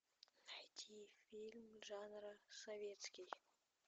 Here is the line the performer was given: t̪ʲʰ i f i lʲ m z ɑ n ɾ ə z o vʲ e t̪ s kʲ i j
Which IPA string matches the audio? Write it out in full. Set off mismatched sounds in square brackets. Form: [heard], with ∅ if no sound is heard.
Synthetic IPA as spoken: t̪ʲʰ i f i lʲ m [ʒ] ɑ n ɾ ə [s] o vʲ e t̪ s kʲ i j